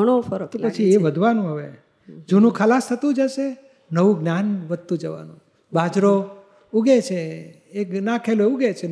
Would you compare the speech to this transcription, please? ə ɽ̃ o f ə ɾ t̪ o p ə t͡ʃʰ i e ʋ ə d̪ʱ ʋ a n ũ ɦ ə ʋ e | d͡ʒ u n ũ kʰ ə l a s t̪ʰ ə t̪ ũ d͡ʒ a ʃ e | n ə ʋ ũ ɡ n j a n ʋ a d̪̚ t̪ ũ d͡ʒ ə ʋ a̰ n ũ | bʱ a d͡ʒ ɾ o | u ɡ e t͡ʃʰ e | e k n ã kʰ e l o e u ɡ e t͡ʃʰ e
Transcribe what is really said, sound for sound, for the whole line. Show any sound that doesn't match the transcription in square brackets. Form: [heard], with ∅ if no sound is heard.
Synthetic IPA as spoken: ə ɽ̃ o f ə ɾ t̪ o p ə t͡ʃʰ i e ʋ ə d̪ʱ ʋ a n ũ ɦ ə ʋ e | d͡ʒ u n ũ kʰ ə l a s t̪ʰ ə t̪ ũ d͡ʒ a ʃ e | n ə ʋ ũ ɡ n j a n ʋ [ə] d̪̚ t̪ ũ d͡ʒ ə ʋ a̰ n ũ | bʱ a d͡ʒ ɾ o | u ɡ e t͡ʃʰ e | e k n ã kʰ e l o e u ɡ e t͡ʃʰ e